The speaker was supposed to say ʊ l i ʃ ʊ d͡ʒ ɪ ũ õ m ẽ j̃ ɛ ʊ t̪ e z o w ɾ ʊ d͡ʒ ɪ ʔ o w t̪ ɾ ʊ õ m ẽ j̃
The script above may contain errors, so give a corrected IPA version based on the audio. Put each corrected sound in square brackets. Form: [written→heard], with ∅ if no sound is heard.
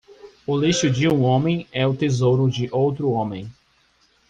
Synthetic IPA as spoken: ʊ l i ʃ ʊ d͡ʒ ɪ ũ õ m ẽ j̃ ɛ ʊ t̪ e z o w ɾ ʊ d͡ʒ ɪ ʔ o w t̪ ɾ ʊ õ m ẽ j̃